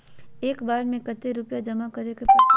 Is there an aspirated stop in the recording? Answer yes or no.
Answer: no